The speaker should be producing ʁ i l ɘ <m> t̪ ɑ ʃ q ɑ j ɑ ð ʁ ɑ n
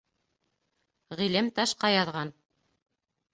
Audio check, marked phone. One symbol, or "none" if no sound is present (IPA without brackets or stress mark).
m